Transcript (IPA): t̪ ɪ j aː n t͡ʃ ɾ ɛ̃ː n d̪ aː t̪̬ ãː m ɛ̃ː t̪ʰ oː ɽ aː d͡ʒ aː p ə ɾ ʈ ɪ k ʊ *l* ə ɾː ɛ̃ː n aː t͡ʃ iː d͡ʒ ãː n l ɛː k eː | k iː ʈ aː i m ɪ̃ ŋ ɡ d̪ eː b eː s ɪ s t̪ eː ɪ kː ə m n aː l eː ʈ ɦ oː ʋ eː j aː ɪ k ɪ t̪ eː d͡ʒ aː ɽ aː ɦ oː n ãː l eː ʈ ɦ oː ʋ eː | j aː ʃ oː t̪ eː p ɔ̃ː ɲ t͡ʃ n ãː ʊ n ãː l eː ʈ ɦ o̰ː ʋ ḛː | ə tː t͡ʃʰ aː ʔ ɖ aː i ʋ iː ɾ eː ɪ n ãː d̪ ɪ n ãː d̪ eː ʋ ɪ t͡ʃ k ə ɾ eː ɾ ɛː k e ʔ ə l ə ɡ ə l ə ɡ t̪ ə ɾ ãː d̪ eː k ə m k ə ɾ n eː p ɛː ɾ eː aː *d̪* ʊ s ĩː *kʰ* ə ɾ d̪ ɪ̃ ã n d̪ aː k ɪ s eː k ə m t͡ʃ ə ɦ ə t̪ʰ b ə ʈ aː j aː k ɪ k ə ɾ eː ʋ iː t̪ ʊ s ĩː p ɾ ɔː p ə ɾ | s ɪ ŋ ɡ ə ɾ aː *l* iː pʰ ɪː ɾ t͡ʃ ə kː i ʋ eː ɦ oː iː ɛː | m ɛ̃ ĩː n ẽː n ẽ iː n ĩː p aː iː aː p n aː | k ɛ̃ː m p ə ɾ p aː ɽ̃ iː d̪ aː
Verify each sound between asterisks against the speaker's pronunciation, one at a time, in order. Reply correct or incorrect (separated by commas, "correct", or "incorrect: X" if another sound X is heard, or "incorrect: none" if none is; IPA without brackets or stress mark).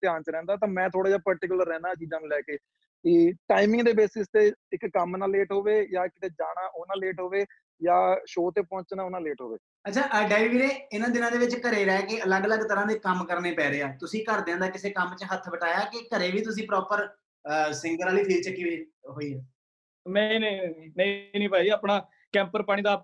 correct, incorrect: t̪, incorrect: k, correct